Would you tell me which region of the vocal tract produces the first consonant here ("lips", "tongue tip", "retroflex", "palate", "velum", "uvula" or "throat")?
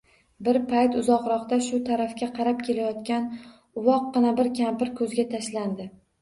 lips